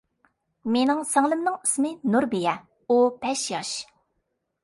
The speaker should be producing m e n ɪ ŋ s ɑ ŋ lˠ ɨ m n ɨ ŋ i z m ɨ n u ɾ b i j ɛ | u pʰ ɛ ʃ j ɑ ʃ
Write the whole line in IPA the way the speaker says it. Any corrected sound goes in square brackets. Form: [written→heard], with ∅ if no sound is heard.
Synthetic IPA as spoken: m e n ɪ ŋ s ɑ ŋ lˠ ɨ m n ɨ ŋ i [z→s] m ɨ n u ɾ b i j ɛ | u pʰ ɛ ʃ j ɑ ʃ